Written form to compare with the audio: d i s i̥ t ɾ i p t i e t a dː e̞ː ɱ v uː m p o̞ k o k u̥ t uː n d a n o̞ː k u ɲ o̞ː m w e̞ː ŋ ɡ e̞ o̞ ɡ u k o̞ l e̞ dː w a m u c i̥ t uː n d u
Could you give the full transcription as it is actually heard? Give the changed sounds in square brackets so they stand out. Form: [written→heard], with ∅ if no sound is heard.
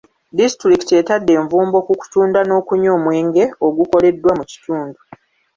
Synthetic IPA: d i s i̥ t ɾ i [p→k] t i e t a dː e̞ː ɱ v uː m [p→b] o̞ k [o→u] k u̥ t uː n d a n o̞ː k u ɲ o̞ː m w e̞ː ŋ ɡ e̞ o̞ ɡ u k o̞ l e̞ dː w a m u c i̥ t uː n d u